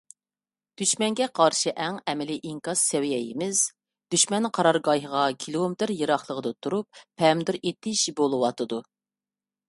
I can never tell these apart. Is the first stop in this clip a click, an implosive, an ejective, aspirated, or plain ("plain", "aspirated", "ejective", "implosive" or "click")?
plain